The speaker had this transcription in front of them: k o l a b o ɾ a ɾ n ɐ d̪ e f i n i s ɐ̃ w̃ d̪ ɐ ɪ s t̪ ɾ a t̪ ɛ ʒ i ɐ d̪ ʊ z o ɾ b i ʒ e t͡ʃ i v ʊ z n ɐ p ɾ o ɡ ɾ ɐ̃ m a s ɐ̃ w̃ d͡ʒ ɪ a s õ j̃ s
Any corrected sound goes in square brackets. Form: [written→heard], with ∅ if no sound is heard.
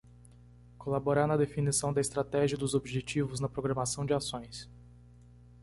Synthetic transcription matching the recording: k o l a b o ɾ a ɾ n ɐ d̪ e f i n i s ɐ̃ w̃ d̪ ɐ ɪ s t̪ ɾ a t̪ ɛ ʒ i ɐ d̪ ʊ z o [ɾ→∅] b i ʒ e t͡ʃ i v ʊ z n ɐ p ɾ o ɡ ɾ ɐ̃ m a s ɐ̃ w̃ d͡ʒ ɪ a s õ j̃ s